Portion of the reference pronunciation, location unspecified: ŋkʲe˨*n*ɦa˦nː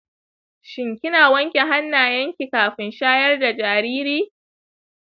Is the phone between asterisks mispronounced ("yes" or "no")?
yes